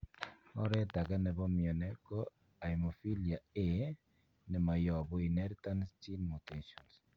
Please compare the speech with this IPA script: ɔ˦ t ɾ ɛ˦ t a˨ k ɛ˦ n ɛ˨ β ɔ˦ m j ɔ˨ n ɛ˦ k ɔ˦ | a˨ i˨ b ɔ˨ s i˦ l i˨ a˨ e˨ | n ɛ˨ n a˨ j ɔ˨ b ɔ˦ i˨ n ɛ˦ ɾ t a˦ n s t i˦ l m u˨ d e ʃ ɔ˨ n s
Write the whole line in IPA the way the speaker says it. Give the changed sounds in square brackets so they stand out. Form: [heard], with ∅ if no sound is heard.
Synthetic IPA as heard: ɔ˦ [∅] ɾ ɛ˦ t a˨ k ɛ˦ n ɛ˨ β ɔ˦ m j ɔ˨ n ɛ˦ k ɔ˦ | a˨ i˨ [m] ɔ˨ [f] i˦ l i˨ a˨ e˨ | n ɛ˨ [m] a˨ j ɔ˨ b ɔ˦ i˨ n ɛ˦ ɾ t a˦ n s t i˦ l m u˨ [t] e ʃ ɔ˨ n s

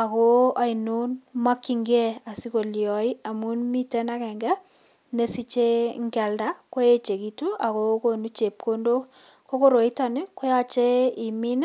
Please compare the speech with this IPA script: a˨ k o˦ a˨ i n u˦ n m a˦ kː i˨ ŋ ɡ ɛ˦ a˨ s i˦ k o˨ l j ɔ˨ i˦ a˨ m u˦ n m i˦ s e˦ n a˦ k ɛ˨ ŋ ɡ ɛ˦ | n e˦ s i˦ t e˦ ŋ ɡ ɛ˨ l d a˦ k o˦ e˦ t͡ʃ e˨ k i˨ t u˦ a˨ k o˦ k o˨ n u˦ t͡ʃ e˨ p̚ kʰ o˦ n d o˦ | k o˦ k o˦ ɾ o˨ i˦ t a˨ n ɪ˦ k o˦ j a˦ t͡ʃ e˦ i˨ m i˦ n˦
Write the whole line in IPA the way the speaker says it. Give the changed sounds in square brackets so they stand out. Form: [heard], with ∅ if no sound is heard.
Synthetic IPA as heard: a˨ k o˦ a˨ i n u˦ n m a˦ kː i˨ ŋ ɡ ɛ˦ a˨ s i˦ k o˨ l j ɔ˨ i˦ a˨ m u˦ n m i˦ [t] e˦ n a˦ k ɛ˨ ŋ ɡ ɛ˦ | n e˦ s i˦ [t͡ʃ] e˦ ŋ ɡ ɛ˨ l d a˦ k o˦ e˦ t͡ʃ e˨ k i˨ t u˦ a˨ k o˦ k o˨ n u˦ t͡ʃ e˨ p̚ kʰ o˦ n d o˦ | k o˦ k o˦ ɾ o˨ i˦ t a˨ n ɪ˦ k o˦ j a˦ t͡ʃ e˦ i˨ m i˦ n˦

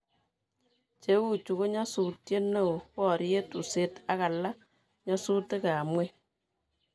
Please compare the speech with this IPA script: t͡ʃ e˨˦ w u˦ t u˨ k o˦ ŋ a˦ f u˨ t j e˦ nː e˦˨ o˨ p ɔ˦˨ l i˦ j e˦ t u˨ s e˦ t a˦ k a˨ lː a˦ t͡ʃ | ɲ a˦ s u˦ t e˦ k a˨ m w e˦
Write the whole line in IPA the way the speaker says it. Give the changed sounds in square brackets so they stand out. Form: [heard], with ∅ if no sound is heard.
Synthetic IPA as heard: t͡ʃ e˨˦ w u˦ [t͡ʃ] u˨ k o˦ [ɲ] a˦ [s] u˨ t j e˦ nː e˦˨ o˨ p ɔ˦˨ [ɾ] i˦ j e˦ t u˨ s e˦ t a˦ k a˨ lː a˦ [∅] | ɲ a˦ s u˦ t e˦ k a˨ m w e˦

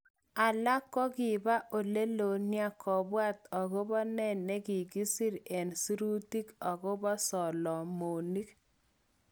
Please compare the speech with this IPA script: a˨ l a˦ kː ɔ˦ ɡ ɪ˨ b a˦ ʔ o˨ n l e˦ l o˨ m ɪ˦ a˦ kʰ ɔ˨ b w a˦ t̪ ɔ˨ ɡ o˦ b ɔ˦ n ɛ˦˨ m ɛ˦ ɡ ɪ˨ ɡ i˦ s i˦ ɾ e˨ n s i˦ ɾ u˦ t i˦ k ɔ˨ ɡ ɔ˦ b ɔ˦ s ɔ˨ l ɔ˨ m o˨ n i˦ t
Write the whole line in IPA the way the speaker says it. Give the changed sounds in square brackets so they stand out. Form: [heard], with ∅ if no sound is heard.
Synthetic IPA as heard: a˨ l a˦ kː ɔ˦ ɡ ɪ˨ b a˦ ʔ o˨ [∅] l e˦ l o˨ [n] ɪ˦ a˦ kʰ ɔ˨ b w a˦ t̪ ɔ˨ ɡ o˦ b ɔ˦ n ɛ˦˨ [n] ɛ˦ ɡ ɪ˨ ɡ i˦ s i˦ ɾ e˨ n s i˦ ɾ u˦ t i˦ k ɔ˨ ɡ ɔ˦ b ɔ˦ s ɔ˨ l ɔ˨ m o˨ n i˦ [k]

